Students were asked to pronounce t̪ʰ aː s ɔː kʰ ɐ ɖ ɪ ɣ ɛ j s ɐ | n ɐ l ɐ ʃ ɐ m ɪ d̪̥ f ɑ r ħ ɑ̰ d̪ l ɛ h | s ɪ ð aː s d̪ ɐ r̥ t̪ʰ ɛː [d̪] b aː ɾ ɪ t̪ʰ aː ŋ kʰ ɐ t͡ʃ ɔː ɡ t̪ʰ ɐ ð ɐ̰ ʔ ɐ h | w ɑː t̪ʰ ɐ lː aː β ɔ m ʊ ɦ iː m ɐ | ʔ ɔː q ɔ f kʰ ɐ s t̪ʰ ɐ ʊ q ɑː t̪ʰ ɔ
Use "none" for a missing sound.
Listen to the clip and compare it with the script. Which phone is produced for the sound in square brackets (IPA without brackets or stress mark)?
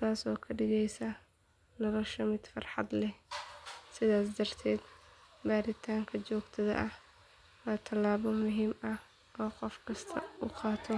d̪